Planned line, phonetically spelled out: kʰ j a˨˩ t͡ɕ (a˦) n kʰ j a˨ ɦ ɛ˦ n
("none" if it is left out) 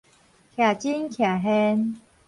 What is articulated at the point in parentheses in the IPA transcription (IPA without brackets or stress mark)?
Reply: i˦